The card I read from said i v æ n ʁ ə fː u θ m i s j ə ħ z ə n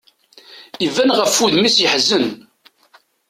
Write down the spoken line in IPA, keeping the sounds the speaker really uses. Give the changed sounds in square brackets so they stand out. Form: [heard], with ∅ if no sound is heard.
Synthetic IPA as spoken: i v æ n ʁ ə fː u [ð] m i s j ə ħ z ə n